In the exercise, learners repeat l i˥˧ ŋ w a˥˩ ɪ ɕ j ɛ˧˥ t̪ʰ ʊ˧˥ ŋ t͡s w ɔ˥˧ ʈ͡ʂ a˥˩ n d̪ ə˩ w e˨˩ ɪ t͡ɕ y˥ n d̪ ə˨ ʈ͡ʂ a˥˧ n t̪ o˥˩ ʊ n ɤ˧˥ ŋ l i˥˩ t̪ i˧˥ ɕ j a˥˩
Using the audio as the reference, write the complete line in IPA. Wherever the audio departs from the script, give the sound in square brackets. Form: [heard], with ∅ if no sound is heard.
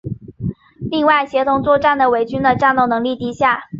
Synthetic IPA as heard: l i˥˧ ŋ w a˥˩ ɪ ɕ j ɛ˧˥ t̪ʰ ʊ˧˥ ŋ t͡s w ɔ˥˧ ʈ͡ʂ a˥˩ n d̪ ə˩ w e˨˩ ɪ t͡ɕ y˥ n d̪ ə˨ ʈ͡ʂ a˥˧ n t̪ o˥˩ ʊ n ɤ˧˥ ŋ l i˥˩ t̪ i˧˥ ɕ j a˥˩